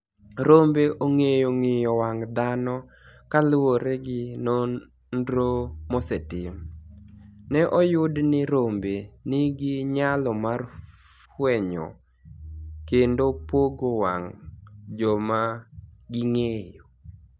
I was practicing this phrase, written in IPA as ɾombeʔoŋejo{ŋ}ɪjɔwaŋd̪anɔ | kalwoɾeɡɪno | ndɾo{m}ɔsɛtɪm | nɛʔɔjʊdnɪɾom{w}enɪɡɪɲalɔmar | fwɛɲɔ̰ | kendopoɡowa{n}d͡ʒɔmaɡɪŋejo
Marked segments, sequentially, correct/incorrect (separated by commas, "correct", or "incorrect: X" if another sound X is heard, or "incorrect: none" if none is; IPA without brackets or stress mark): correct, correct, incorrect: b, incorrect: ŋ